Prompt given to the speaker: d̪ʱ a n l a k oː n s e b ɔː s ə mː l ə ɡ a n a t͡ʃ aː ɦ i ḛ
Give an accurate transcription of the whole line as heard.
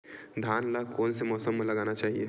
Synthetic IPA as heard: d̪ʱ a n l a k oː n s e m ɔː s ə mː l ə ɡ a n a t͡ʃ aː ɦ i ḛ